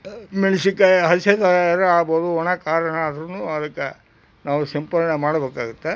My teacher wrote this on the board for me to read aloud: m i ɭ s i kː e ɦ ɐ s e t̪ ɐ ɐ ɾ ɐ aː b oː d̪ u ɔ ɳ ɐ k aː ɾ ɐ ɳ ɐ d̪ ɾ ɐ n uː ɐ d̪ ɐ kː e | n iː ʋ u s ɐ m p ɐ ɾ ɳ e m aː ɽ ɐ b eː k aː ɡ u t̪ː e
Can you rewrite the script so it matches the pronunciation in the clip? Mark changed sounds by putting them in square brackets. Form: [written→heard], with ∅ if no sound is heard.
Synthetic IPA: m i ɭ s i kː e ɦ ɐ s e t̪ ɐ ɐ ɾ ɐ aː b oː d̪ u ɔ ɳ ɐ k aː ɾ ɐ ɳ ɐ d̪ ɾ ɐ n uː ɐ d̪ ɐ kː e | n [iː→aː] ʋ u s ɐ m p ɐ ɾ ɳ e m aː ɽ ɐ b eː k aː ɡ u t̪ː e

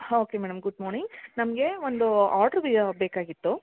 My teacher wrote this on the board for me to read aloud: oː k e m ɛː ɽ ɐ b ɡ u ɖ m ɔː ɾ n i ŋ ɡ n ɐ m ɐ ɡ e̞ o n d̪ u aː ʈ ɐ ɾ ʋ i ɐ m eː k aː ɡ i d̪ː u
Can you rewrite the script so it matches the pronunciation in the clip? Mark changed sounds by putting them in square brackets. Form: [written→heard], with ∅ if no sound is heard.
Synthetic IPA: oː k e m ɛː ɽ ɐ [b→m] ɡ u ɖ m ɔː ɾ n i ŋ ɡ n ɐ m ɐ ɡ e̞ o n d̪ u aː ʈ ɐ ɾ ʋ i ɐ [m→b] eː k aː ɡ i [d̪ː→t̪ː] u

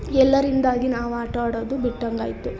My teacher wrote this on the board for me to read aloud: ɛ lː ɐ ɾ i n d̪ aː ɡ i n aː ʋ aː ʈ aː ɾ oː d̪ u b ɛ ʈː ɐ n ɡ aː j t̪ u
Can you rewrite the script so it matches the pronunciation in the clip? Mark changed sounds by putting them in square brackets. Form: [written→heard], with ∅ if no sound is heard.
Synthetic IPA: ɛ lː ɐ ɾ i n d̪ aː ɡ i n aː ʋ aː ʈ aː [ɾ→ɽ] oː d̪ u b [ɛ→i] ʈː ɐ [n→ŋ] ɡ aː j t̪ u

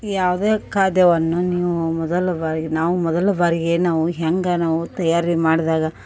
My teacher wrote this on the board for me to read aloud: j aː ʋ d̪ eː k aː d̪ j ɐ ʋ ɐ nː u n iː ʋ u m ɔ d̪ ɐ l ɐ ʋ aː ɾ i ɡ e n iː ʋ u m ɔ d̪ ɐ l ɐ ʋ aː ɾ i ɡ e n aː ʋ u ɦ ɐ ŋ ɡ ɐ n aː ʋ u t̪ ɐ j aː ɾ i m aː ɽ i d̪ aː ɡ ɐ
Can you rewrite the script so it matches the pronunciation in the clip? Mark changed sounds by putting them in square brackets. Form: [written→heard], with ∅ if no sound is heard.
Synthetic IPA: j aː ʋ d̪ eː k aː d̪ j ɐ ʋ ɐ nː u n iː ʋ u m ɔ d̪ ɐ l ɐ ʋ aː ɾ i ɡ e n [iː→aː] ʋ u m ɔ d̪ ɐ l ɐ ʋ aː ɾ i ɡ e n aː ʋ u ɦ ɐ ŋ ɡ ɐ n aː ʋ u t̪ ɐ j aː ɾ i m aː ɽ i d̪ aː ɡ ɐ

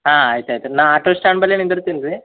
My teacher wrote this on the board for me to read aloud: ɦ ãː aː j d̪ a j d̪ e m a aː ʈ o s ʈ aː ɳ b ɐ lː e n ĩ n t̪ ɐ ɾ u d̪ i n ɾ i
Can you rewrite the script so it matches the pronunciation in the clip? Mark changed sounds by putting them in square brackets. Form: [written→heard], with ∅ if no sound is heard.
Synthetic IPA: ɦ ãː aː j [d̪→t̪] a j [d̪→t̪] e [m→n] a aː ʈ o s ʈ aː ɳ b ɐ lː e n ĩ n [t̪→d̪] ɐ ɾ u [d̪→t̪] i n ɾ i

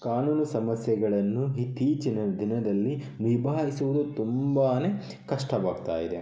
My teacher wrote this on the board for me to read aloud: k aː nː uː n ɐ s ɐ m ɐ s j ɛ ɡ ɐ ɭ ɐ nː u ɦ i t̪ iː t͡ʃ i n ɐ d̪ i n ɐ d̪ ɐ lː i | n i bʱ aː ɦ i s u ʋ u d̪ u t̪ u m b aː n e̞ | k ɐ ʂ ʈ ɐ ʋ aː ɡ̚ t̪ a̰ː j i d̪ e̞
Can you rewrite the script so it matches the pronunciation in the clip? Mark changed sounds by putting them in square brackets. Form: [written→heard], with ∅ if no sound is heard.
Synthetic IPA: k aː [nː→n] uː n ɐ s ɐ m ɐ s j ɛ ɡ ɐ ɭ ɐ nː u ɦ i t̪ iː t͡ʃ i n ɐ d̪ i n ɐ d̪ ɐ lː i | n i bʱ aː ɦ i s u ʋ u d̪ u t̪ u m b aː n e̞ | k ɐ ʂ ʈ ɐ ʋ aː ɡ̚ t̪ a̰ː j i d̪ e̞

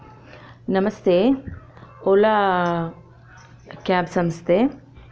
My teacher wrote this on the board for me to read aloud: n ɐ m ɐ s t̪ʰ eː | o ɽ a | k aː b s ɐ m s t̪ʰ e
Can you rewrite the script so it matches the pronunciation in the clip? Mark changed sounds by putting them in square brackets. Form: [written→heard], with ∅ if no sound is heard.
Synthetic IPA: n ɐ m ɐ s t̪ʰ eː | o [ɽ→l] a | k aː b s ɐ m s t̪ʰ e

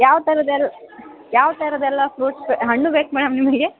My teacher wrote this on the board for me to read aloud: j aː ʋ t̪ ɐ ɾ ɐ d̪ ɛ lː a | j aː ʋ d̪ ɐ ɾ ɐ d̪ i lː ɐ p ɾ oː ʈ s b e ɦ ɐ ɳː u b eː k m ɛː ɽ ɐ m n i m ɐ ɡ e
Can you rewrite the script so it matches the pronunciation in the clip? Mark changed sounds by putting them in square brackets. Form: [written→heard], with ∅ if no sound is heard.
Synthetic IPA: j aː ʋ t̪ ɐ ɾ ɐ d̪ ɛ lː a | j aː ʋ [d̪→t̪] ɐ ɾ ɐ d̪ [i→ɛ] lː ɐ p ɾ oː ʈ s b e ɦ ɐ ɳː u b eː k m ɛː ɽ ɐ m n i m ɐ ɡ e

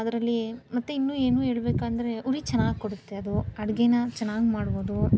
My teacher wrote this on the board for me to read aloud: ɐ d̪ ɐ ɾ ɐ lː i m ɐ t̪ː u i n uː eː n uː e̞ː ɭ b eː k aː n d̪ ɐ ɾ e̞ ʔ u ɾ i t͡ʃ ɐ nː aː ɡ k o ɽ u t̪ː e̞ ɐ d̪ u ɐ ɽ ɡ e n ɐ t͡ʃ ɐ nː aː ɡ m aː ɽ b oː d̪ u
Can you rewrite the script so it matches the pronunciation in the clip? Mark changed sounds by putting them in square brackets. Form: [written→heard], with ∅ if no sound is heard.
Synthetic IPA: ɐ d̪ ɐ ɾ ɐ lː i m ɐ t̪ː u i [n→nː] uː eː n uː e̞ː ɭ b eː k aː n d̪ ɐ ɾ e̞ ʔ u ɾ i t͡ʃ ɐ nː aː ɡ k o ɽ u t̪ː e̞ ɐ d̪ u ɐ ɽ ɡ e n ɐ t͡ʃ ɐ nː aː ɡ m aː ɽ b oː d̪ u

